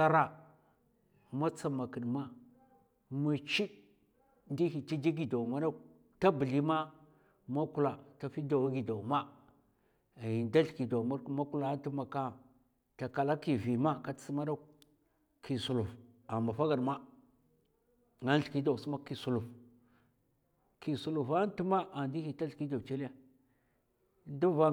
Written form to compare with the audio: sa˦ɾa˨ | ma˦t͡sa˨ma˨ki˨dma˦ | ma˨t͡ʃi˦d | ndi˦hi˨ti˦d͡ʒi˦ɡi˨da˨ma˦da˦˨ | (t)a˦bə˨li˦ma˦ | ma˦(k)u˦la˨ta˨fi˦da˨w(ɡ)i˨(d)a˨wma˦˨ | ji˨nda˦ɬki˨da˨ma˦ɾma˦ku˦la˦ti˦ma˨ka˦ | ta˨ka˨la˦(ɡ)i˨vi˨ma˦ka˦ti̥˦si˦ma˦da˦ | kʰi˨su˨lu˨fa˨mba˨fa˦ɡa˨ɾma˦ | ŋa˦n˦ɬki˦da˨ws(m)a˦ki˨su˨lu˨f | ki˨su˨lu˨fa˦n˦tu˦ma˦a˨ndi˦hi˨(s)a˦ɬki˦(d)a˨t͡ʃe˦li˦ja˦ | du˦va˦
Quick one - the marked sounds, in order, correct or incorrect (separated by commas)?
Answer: correct, correct, correct, correct, incorrect, correct, incorrect, correct